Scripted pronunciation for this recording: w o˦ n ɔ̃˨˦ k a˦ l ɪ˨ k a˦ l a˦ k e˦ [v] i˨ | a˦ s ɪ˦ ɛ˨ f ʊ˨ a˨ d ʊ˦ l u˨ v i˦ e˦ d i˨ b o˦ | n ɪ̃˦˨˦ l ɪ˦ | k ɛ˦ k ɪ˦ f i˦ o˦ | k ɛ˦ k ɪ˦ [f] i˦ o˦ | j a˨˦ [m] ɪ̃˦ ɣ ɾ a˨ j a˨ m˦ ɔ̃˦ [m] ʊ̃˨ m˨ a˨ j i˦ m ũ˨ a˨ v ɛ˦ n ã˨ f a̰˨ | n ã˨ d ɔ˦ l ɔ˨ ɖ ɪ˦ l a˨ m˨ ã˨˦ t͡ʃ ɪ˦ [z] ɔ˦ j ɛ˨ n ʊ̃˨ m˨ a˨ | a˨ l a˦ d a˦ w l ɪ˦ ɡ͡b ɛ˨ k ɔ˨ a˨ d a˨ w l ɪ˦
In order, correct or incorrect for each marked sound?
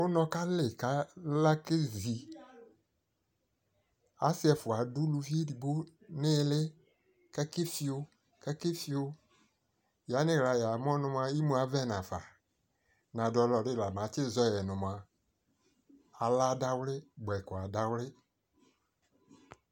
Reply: incorrect: z, correct, incorrect: n, incorrect: n, correct

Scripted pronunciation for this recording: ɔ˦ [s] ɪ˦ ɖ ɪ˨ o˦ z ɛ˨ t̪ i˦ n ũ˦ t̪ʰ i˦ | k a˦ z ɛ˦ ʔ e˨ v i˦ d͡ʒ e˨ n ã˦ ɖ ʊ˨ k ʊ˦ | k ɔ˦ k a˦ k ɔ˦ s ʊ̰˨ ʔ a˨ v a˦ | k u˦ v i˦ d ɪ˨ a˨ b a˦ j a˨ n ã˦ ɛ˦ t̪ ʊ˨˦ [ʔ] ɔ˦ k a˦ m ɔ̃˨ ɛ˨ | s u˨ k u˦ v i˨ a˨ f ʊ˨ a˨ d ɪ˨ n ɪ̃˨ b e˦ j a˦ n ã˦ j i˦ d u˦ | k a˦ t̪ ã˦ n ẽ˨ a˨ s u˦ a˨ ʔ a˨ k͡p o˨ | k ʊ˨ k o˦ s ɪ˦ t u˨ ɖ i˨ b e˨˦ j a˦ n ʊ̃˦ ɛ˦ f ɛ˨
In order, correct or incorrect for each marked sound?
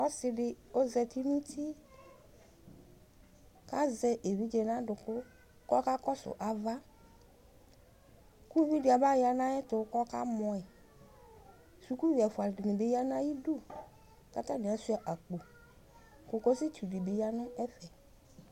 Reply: correct, incorrect: k

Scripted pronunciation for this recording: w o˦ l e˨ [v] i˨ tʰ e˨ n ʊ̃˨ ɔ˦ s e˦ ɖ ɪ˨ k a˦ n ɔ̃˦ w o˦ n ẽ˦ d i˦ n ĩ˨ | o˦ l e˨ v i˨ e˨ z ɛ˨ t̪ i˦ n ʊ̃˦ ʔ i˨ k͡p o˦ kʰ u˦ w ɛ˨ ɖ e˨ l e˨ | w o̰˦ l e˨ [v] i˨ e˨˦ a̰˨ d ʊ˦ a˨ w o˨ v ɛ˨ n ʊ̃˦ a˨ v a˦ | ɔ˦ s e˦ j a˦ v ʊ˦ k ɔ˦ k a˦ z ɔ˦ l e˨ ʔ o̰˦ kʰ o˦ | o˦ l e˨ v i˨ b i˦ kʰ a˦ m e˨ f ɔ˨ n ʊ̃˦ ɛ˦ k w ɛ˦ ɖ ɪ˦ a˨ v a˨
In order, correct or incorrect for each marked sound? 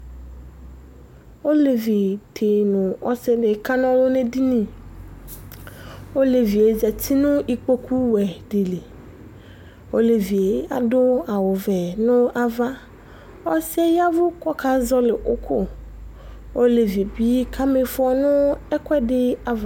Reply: correct, correct

